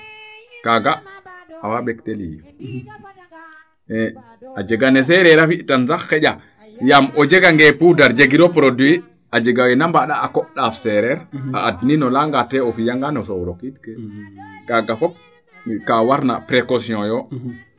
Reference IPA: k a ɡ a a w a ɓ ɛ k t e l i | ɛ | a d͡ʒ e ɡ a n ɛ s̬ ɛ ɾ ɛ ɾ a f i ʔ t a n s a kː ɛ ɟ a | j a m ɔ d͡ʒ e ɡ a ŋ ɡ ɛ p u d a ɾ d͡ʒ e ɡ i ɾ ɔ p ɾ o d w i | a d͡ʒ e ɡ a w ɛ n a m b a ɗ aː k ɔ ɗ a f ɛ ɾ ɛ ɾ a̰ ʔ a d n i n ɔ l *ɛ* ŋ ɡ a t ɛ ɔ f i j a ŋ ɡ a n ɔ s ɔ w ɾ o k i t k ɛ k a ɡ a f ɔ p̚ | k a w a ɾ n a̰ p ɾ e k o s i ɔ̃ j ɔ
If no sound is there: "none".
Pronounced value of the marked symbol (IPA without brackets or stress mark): a